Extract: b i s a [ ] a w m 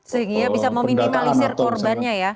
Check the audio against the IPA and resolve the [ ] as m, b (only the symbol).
m